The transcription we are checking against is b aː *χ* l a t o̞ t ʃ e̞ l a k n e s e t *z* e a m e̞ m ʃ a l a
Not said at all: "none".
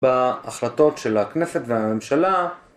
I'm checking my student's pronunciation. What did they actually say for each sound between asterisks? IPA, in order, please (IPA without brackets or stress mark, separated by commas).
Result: χ, v